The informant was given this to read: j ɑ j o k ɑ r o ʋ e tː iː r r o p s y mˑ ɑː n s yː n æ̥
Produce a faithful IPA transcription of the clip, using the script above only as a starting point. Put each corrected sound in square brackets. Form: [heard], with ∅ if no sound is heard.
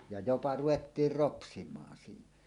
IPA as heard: j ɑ j o [p] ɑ r [u] ʋ e tː iː r r o p s [i] mˑ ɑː n s [iː] n æ̥